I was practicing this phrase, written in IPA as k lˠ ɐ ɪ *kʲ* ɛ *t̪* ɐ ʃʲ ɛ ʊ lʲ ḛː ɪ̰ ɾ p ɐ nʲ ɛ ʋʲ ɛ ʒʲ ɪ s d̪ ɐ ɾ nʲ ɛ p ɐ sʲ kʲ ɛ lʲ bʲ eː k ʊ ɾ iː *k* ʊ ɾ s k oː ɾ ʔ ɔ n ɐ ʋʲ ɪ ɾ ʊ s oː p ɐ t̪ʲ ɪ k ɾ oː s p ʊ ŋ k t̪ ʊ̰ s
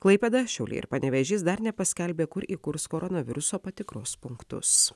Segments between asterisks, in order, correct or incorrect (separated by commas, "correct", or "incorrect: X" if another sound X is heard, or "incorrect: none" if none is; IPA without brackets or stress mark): incorrect: pʲ, incorrect: d̪, correct